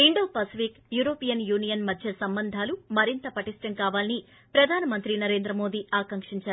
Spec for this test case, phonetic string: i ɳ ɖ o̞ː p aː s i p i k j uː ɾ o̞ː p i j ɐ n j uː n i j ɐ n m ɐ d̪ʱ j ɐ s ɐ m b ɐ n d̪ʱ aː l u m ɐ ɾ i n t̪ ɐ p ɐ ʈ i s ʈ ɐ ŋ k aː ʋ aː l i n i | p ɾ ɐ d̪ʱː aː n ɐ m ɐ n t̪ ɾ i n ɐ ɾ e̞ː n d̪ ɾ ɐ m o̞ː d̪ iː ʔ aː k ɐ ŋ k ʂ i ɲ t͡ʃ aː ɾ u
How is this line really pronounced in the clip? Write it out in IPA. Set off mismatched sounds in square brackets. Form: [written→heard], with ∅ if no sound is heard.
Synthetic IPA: i ɳ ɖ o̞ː p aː s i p i k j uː ɾ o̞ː p i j ɐ n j uː n i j ɐ n m ɐ d̪ʱ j ɐ s ɐ m b ɐ n d̪ʱ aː l u m ɐ ɾ i n t̪ ɐ p ɐ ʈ i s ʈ ɐ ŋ k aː ʋ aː l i n i | p ɾ ɐ [d̪ʱː→d̪ʱ] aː n ɐ m ɐ n t̪ ɾ i n ɐ ɾ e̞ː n d̪ ɾ ɐ m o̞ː d̪ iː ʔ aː k ɐ ŋ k ʂ i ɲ t͡ʃ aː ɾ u